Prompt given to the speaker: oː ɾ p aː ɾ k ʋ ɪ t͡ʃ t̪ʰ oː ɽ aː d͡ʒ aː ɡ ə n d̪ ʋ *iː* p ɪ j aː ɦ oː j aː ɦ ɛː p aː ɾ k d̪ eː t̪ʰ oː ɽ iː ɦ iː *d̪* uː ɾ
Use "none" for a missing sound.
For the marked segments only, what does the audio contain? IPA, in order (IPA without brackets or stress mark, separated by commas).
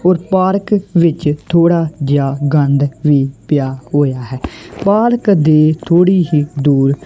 iː, d̪